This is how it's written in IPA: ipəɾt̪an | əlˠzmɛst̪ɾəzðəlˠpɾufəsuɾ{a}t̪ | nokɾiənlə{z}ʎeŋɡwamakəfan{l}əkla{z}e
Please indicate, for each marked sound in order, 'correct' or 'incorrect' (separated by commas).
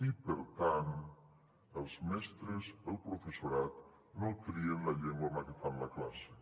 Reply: correct, incorrect, correct, incorrect